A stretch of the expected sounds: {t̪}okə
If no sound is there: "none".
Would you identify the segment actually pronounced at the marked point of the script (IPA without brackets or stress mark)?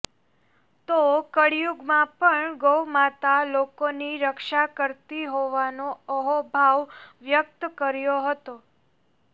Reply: t̪